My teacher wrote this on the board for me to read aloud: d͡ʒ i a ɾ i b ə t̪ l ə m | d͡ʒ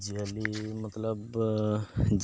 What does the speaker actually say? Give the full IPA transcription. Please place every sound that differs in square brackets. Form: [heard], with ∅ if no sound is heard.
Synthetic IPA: d͡ʒ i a [l] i [m] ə t̪ l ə [b] | d͡ʒ